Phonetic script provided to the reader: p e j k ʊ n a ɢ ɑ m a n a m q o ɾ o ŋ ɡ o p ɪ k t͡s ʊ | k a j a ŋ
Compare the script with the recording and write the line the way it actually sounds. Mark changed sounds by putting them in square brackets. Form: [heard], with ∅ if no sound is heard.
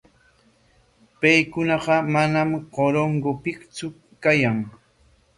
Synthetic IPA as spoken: p [a] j k ʊ n [ɑ] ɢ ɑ m a n a m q o ɾ o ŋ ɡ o p ɪ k t͡s ʊ | k a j a ŋ